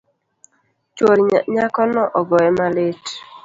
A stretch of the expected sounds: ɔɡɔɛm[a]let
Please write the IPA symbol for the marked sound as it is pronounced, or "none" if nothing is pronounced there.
a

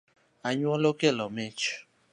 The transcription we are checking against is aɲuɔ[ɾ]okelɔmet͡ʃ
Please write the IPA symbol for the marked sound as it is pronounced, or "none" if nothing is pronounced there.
l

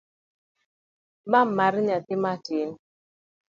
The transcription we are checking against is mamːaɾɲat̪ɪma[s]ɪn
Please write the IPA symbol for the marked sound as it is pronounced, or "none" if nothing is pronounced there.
t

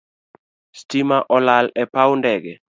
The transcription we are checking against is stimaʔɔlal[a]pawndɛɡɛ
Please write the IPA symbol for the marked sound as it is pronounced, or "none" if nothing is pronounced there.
ɛ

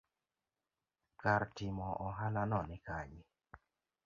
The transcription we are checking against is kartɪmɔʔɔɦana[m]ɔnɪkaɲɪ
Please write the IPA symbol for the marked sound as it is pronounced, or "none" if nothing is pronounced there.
n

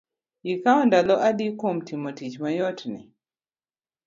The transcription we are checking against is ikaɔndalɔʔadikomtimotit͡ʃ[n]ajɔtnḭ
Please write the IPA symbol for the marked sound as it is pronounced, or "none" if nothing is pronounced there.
m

